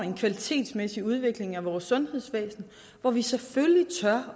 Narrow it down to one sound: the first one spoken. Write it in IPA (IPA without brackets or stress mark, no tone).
e̝